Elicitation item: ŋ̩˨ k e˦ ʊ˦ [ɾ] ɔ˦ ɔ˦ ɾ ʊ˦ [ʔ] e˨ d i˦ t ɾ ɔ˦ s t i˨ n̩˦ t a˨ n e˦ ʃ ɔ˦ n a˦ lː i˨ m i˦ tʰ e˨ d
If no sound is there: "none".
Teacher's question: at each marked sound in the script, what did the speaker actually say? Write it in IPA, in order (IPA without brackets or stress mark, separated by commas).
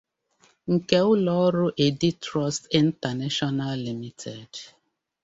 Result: l, ʔ